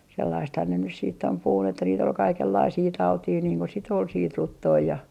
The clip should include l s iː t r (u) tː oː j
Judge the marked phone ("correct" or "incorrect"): correct